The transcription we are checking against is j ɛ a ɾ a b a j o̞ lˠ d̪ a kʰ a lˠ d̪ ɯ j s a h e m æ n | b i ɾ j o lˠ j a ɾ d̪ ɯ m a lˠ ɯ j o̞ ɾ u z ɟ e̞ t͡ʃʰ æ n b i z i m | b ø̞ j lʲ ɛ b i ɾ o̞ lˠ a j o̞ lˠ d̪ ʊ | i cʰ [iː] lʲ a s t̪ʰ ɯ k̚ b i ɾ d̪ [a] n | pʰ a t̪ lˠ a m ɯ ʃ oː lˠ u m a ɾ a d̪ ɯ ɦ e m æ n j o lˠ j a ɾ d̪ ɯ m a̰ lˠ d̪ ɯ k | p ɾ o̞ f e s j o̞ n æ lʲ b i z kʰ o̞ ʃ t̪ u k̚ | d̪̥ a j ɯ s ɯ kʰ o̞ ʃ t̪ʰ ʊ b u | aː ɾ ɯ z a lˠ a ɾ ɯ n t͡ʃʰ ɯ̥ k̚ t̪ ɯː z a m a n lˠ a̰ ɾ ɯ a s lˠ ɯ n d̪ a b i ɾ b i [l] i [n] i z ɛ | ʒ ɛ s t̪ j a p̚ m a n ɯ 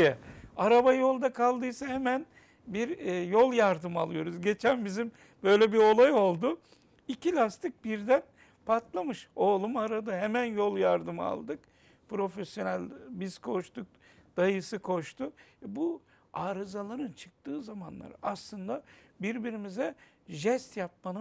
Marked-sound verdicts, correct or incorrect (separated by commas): incorrect, incorrect, incorrect, incorrect